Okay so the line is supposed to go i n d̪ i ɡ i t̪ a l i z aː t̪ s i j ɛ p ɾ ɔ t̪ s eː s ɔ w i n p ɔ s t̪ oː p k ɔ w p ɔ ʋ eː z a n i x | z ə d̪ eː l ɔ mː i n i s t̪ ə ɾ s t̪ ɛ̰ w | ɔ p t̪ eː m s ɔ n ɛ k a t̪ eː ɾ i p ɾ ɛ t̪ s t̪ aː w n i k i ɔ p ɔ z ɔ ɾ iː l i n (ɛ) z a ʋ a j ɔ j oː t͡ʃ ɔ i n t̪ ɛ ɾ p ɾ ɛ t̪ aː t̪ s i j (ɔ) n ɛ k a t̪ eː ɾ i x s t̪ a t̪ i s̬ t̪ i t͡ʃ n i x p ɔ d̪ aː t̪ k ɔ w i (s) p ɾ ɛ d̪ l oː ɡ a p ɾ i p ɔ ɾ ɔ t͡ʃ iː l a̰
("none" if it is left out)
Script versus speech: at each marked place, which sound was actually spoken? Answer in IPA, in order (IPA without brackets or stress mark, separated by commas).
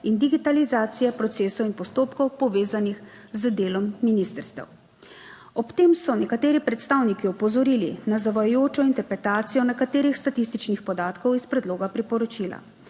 a, ɔ, s